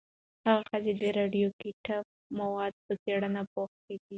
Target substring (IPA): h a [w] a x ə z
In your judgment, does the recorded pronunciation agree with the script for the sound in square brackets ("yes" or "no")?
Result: no